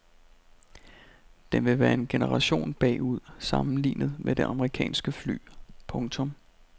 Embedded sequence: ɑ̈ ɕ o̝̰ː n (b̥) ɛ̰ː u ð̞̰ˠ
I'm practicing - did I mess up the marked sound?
no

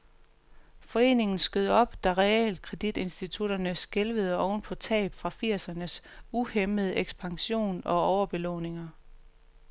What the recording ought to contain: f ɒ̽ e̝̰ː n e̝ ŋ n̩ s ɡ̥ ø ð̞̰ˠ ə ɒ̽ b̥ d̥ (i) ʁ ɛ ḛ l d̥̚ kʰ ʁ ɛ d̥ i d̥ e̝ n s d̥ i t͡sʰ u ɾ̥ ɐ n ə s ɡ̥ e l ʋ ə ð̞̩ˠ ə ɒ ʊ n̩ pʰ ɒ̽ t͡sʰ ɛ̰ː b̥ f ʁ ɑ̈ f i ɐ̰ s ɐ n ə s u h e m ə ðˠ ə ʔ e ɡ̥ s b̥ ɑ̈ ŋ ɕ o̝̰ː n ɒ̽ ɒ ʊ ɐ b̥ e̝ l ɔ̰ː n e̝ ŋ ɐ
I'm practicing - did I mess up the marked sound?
yes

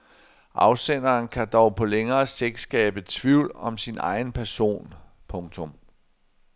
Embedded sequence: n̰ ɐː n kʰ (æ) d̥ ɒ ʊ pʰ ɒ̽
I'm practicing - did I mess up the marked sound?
no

